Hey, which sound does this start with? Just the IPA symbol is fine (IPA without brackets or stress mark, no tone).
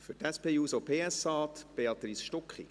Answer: f